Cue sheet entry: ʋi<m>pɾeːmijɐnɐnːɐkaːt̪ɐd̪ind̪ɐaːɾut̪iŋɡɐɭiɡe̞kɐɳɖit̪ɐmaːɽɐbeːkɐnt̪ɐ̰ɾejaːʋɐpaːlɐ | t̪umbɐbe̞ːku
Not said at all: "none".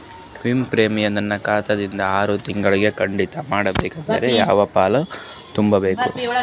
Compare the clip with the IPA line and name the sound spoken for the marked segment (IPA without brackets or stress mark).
m